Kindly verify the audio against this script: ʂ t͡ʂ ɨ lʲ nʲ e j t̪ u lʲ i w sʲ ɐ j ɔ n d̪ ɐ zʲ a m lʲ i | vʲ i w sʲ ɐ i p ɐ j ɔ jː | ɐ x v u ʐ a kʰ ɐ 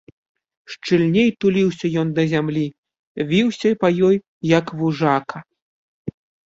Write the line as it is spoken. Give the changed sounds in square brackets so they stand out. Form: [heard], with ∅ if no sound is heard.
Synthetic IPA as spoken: ʂ t͡ʂ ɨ lʲ nʲ e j t̪ u lʲ i w sʲ ɐ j ɔ n d̪ ɐ zʲ a m lʲ i | vʲ i w sʲ ɐ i p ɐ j ɔ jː | ɐ [k] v u ʐ a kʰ ɐ